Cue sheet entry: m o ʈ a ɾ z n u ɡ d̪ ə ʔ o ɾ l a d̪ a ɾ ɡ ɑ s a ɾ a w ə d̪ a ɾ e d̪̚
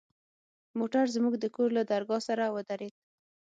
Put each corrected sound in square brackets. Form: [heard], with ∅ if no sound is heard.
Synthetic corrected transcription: m o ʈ a ɾ z [m] u ɡ d̪ ə [k] o ɾ l a d̪ a ɾ ɡ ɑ s a ɾ a w ə d̪ a ɾ e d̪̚